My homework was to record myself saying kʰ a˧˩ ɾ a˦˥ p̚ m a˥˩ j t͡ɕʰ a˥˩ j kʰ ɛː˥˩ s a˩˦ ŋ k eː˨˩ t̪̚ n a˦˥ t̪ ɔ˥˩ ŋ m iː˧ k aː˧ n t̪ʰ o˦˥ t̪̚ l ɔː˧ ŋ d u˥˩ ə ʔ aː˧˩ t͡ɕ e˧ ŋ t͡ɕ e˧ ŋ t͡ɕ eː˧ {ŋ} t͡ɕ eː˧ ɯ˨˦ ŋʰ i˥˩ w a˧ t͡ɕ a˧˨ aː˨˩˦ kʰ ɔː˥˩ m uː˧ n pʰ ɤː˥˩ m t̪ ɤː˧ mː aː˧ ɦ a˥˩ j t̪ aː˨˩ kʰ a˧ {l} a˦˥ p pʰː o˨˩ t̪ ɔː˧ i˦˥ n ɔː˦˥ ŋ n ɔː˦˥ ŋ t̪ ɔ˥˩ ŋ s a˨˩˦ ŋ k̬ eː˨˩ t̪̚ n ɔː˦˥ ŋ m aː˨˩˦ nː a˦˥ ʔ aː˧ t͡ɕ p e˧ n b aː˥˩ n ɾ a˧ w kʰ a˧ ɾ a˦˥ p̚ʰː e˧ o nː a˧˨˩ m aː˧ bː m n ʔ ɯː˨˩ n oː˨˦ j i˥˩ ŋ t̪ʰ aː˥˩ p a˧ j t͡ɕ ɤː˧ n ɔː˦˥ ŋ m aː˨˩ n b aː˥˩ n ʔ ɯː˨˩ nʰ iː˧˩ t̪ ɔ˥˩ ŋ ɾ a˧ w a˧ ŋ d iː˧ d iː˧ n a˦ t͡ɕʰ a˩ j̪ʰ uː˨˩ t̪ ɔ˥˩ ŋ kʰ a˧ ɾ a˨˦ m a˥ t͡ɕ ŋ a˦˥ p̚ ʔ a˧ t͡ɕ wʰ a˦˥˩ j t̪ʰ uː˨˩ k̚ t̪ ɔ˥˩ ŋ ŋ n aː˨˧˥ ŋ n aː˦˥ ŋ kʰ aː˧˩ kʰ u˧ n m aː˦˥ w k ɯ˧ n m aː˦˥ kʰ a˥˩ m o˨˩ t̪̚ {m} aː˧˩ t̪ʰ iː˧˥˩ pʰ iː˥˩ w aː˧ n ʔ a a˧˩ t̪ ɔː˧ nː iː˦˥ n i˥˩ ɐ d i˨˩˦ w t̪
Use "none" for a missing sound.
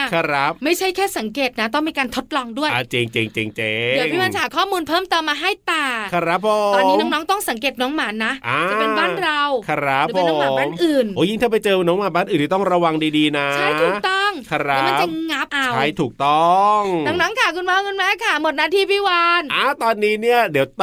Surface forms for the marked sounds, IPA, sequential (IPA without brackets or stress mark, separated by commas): ŋ, ɾ, n